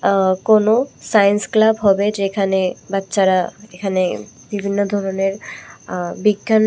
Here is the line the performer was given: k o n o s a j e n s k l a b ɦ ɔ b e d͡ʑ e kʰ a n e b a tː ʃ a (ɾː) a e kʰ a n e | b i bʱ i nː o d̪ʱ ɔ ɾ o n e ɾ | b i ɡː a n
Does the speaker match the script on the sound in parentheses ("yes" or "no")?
no